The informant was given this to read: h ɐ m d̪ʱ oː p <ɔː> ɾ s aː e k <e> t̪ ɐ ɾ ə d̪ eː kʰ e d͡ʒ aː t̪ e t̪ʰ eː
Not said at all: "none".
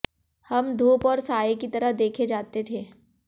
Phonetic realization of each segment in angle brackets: ɔː, i

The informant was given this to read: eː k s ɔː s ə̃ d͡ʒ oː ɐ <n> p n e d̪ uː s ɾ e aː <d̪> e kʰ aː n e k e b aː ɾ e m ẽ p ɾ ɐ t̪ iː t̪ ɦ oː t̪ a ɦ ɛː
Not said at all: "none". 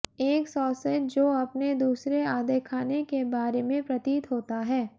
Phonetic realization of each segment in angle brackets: none, d̪

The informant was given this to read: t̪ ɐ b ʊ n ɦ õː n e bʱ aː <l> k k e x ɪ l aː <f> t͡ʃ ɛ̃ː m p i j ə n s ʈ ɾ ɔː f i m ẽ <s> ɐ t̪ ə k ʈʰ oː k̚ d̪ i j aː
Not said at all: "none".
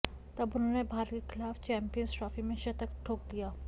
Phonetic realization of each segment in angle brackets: ɾ, f, ʃ

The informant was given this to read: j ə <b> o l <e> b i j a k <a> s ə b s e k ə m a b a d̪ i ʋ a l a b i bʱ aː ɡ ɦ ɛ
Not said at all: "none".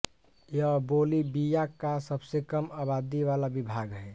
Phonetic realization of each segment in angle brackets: b, i, a

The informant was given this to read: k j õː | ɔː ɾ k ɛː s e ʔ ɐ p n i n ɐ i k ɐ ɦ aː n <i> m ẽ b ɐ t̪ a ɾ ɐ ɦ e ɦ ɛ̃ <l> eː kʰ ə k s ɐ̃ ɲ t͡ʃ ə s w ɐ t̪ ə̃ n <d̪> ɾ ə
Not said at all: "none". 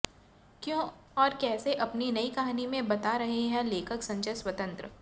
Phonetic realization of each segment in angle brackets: i, l, t̪

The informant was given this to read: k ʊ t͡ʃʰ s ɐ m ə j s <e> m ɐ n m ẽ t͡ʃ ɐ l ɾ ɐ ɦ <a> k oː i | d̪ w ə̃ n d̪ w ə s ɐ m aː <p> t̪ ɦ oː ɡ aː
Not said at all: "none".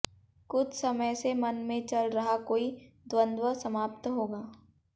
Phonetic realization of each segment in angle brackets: e, a, p

